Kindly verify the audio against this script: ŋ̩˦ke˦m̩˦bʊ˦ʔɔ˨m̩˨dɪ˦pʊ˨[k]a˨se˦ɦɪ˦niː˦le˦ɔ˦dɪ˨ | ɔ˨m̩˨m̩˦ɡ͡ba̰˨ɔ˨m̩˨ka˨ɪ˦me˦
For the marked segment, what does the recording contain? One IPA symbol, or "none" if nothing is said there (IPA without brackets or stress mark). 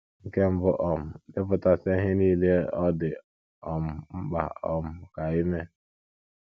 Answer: t